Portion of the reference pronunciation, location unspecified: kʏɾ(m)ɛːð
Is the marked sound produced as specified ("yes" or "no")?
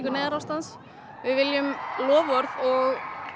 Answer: no